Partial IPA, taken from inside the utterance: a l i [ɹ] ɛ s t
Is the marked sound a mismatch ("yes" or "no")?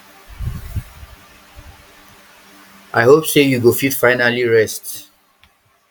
no